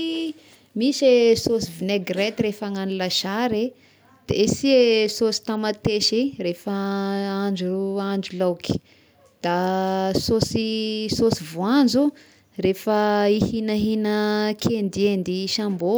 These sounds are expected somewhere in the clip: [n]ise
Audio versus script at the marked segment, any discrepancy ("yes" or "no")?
yes